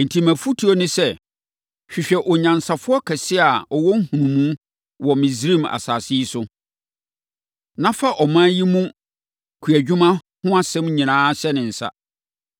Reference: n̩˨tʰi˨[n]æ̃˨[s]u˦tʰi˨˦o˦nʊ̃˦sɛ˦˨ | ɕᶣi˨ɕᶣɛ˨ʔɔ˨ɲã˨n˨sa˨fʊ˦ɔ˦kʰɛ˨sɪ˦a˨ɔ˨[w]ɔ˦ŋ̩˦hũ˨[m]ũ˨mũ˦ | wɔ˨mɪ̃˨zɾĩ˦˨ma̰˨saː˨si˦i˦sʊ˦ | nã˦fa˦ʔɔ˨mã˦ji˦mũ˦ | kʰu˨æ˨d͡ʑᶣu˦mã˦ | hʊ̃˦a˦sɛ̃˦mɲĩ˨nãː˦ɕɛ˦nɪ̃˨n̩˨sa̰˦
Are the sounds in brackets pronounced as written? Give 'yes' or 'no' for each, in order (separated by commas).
no, no, yes, no